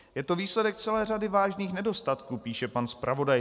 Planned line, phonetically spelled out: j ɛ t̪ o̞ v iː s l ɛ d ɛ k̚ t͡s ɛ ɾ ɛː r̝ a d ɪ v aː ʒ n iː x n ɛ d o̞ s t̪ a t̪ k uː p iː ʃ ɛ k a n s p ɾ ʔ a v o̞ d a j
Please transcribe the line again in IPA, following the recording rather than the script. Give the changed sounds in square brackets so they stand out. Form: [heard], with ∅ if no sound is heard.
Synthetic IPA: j ɛ t̪ o̞ v iː s l ɛ d ɛ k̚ t͡s ɛ [l] ɛː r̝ a d ɪ v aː ʒ n iː x n ɛ d o̞ s t̪ a t̪ k uː p iː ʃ ɛ [p] a n s p ɾ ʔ a v o̞ d a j